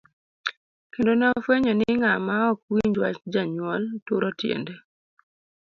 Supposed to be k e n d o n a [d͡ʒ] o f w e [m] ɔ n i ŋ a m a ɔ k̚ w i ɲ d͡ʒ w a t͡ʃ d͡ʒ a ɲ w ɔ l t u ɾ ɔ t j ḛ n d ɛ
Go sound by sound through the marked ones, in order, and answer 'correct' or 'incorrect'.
incorrect, incorrect

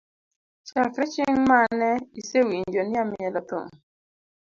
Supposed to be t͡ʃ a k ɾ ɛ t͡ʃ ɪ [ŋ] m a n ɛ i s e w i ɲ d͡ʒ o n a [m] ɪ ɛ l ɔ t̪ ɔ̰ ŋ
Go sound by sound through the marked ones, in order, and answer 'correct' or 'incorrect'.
correct, correct

